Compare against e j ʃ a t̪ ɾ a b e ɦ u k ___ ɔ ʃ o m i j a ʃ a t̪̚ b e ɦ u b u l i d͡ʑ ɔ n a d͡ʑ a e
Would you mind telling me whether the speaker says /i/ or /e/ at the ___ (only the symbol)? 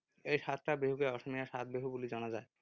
e